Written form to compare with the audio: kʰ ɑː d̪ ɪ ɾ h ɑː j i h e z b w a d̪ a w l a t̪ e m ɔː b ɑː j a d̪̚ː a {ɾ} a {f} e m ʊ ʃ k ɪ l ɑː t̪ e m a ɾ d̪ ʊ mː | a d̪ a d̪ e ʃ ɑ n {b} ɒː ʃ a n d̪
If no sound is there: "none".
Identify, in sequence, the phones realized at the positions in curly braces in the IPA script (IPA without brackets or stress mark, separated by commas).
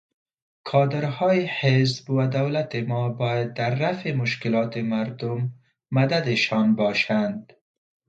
ɾː, f, b